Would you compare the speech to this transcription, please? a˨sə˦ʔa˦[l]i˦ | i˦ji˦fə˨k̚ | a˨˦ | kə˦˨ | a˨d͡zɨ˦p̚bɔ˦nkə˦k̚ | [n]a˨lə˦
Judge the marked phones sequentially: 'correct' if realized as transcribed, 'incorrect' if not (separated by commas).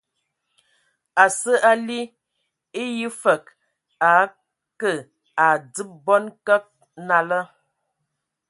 correct, correct